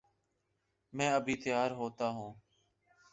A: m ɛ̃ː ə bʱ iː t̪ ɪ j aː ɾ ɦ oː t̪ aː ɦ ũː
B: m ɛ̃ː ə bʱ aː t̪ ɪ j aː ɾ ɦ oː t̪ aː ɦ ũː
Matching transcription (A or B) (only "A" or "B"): A